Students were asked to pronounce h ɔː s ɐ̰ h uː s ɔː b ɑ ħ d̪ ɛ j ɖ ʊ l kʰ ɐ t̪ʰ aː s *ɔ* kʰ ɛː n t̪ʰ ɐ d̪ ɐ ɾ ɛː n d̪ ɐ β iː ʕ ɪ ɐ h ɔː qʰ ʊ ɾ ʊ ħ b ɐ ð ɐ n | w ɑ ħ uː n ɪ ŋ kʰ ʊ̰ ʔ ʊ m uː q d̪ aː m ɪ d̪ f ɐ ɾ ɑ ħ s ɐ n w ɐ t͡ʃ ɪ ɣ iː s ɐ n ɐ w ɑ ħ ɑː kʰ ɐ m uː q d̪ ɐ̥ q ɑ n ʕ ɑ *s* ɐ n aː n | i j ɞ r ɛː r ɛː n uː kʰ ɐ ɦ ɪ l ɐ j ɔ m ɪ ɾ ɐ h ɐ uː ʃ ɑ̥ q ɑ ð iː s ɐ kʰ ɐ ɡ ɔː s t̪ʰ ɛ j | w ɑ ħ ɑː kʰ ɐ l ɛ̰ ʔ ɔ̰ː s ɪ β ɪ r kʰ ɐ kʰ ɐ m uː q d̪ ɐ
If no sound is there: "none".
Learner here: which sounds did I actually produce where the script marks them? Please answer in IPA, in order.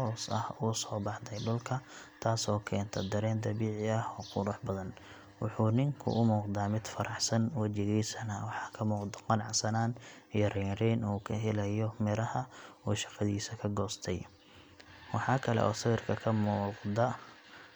ɔː, s

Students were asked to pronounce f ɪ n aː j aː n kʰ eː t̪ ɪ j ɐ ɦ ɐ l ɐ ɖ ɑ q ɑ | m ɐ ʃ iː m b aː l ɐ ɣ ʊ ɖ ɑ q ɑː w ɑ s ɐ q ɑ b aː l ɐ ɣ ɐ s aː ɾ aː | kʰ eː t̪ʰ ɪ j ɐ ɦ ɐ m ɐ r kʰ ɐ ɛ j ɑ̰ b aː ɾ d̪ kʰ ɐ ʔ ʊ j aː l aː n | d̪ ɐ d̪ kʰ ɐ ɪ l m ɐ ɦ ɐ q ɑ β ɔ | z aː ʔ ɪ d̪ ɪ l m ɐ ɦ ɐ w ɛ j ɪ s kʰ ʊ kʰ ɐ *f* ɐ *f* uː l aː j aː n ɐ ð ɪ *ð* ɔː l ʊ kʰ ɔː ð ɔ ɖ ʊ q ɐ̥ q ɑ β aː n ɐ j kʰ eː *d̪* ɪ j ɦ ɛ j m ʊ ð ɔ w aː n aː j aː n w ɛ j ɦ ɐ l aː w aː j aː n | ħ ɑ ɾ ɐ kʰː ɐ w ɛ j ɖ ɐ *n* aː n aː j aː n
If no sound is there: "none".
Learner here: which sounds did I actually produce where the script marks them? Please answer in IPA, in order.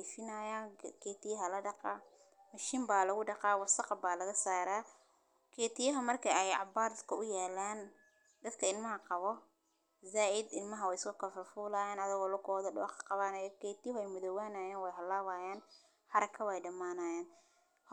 f, f, ɣ, t̪, m

